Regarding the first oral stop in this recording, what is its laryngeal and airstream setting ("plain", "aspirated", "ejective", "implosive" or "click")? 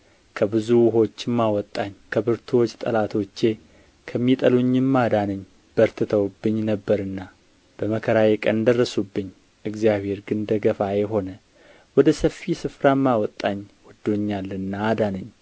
aspirated